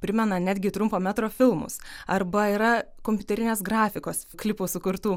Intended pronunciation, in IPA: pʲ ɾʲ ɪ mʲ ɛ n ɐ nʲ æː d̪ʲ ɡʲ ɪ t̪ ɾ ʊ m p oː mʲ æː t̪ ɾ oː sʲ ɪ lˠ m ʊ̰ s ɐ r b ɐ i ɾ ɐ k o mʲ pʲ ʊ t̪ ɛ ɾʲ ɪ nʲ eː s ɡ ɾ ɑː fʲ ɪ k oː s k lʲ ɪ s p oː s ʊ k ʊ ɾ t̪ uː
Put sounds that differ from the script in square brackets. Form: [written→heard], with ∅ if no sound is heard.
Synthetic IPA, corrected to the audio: pʲ ɾʲ ɪ mʲ ɛ n ɐ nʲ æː d̪ʲ ɡʲ ɪ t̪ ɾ ʊ m p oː mʲ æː t̪ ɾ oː [sʲ→fʲ] ɪ lˠ m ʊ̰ s ɐ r b ɐ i ɾ ɐ k o mʲ pʲ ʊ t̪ ɛ ɾʲ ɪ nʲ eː s ɡ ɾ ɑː fʲ ɪ k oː s k lʲ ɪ [s→∅] p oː s ʊ k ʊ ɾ t̪ uː